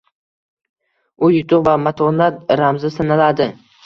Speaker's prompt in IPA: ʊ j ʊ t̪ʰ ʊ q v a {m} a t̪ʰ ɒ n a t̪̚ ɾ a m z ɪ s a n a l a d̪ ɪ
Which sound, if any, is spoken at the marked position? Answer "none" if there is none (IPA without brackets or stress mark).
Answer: m